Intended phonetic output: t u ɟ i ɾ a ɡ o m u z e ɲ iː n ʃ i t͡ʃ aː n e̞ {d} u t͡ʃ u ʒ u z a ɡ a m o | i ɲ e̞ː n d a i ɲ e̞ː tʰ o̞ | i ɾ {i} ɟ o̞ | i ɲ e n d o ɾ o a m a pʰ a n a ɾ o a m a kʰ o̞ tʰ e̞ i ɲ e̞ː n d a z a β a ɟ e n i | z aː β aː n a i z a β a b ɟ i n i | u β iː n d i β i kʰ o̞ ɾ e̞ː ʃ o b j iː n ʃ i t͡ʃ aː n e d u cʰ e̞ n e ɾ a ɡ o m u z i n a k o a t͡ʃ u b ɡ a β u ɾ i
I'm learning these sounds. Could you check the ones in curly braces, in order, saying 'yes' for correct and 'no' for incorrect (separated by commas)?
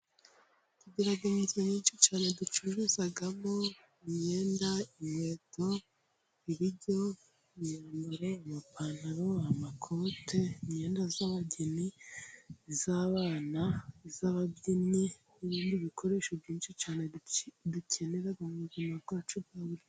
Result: yes, yes